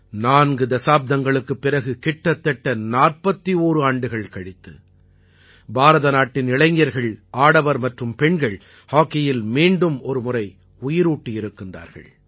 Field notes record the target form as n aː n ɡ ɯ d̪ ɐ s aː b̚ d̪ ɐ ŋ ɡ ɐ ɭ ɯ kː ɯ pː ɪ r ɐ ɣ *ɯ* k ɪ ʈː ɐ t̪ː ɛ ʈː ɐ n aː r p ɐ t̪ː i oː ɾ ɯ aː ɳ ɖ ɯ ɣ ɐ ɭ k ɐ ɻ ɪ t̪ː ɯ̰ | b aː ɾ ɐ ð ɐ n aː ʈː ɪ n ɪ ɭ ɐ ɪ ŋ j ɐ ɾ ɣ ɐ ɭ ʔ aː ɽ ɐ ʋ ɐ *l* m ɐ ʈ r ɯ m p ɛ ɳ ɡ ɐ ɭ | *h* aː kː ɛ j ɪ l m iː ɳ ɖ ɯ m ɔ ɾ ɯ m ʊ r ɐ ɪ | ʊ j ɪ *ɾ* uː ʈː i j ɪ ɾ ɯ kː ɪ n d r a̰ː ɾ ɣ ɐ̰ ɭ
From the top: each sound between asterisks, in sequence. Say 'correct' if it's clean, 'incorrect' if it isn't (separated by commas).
correct, incorrect, correct, correct